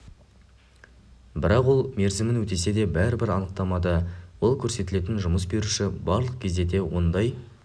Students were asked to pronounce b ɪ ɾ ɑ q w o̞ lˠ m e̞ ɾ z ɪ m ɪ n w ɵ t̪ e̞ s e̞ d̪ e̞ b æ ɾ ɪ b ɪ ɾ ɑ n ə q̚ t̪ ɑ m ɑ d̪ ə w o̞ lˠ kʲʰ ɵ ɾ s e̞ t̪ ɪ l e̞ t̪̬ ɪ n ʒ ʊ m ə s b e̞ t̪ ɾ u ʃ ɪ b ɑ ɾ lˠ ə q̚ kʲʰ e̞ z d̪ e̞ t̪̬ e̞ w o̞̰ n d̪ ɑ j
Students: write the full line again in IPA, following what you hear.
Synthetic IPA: b ɪ ɾ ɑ q w o̞ lˠ m e̞ ɾ z ɪ m ɪ n w ɵ t̪ e̞ s e̞ d̪ e̞ b æ ɾ ɪ b ɪ ɾ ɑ n ə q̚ t̪ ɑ m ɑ d̪ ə w o̞ lˠ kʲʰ ɵ ɾ s e̞ t̪ ɪ l e̞ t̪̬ ɪ n ʒ ʊ m ə s b e̞ ɾ u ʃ ɪ b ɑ ɾ lˠ ə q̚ kʲʰ e̞ z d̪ e̞ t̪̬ e̞ w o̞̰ n d̪ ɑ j